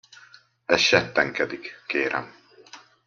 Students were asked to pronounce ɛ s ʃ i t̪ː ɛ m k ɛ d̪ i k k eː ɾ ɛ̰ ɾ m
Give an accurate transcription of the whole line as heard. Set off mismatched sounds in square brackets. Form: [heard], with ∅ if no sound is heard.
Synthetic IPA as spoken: ɛ s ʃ [ɛ] t̪ː ɛ [ŋ] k ɛ d̪ i k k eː ɾ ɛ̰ [∅] m